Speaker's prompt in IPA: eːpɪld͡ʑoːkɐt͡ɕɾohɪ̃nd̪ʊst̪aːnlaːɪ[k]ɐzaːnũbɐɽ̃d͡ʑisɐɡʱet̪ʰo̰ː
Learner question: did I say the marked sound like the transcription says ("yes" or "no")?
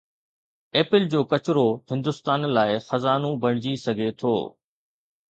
no